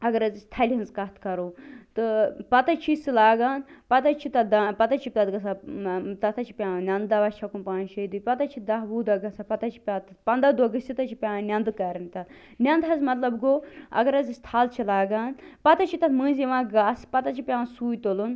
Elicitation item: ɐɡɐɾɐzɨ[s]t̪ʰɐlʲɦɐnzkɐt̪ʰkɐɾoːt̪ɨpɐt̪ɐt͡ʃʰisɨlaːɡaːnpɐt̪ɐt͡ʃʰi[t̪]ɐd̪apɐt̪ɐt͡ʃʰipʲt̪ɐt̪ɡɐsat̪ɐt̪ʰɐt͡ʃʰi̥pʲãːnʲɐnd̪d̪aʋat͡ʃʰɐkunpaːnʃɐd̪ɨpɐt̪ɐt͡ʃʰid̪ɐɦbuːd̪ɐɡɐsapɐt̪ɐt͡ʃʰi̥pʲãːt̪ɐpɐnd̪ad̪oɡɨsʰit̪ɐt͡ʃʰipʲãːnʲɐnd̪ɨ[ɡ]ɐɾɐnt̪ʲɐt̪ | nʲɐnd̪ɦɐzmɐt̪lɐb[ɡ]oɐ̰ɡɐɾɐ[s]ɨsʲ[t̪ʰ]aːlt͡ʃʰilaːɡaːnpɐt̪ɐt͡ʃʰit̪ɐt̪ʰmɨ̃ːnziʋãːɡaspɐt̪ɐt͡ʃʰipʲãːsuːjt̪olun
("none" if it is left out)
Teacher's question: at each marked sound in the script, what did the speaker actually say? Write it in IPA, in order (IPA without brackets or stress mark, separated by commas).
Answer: s, t̪, k, ɡ, z, t̪ʰ